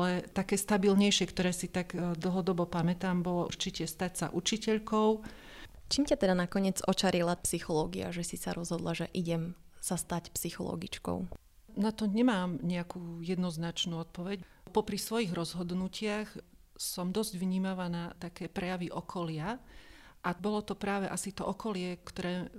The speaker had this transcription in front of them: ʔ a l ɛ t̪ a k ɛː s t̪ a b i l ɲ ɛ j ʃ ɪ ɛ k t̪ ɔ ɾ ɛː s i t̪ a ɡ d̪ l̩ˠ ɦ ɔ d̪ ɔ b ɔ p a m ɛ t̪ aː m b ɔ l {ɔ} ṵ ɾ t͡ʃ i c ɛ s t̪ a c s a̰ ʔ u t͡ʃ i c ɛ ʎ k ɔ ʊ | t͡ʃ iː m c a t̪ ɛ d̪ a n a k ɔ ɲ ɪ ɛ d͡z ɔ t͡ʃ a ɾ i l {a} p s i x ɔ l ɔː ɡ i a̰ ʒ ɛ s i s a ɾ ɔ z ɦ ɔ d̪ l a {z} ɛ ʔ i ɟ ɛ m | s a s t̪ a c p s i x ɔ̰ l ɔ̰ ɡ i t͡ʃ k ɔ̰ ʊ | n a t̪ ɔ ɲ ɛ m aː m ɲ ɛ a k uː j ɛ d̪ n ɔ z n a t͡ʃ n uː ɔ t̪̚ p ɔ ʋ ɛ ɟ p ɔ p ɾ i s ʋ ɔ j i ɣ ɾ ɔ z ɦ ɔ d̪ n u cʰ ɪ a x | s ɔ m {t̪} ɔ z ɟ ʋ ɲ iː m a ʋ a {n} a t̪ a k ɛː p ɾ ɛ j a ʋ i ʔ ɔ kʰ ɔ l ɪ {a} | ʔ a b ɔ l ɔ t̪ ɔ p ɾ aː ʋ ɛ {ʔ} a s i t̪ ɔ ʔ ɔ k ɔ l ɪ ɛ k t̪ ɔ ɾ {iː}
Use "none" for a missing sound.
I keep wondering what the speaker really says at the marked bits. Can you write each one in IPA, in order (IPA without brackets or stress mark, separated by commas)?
ɔ, a, ʒ, d̪, n, a, ʔ, ɛː